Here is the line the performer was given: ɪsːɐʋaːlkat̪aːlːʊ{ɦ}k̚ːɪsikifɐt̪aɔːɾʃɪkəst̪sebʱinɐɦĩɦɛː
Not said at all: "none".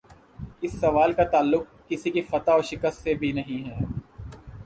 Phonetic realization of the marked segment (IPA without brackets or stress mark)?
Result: none